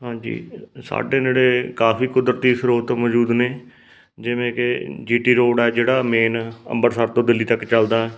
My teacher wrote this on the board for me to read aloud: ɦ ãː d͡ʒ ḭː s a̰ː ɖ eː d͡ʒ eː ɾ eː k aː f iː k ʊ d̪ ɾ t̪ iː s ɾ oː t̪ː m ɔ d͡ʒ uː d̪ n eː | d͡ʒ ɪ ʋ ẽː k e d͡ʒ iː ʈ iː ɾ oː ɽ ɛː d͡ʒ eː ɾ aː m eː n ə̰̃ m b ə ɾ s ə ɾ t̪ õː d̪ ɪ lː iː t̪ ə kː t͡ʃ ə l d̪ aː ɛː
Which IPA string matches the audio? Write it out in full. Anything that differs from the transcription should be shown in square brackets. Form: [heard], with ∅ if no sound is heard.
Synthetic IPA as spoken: ɦ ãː d͡ʒ ḭː s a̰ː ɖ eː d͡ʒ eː [ɽ] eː k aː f iː k ʊ d̪ ɾ t̪ iː s ɾ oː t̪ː m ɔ d͡ʒ uː d̪ n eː | d͡ʒ ɪ ʋ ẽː k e d͡ʒ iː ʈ iː ɾ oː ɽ ɛː d͡ʒ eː [ɽ] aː m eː n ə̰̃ m b ə ɾ s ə ɾ t̪ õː d̪ ɪ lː iː t̪ ə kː t͡ʃ ə l d̪ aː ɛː